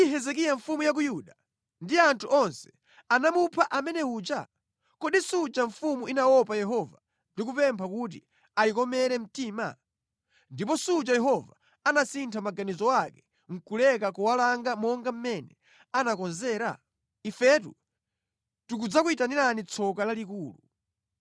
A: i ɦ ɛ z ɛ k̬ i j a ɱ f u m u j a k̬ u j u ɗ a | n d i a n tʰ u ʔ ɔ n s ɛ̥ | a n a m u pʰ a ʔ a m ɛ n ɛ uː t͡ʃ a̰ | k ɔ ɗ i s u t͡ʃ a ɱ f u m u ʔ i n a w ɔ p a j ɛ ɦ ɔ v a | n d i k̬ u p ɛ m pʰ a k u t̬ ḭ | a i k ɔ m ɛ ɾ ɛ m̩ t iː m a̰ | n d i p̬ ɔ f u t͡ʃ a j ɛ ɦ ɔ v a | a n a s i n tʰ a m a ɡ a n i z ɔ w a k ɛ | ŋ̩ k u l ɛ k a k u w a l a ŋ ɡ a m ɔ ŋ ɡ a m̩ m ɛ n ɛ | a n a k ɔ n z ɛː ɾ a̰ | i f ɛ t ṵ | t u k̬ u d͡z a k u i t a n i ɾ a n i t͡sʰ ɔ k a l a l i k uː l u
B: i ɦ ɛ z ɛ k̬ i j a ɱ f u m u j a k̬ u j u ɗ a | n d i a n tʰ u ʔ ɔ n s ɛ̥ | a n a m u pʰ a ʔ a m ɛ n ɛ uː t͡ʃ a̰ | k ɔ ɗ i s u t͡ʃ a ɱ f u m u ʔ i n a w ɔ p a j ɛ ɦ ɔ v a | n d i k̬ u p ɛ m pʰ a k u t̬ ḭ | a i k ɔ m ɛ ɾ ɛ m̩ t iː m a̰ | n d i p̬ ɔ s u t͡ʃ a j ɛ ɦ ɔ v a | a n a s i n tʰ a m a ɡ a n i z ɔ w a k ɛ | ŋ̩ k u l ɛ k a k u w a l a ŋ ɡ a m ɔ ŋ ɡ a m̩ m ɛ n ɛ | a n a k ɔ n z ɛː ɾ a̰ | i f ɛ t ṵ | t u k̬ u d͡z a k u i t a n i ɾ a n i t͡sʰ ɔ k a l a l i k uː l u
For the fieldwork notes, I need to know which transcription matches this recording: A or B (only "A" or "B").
B